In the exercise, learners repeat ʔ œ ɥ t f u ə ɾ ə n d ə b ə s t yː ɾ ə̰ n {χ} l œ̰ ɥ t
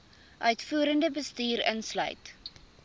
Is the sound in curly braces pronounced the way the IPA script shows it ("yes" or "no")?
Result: no